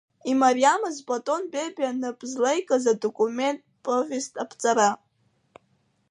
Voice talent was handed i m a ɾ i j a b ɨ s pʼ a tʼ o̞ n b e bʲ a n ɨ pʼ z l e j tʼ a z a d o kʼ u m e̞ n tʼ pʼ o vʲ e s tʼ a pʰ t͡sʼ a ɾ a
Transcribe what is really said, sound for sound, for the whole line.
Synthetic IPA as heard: i m a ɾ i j a m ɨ z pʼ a tʼ o̞ n b e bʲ a n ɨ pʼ z l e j kʼ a z a d o kʼ u m e̞ n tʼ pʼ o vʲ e s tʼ a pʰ t͡sʼ a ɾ a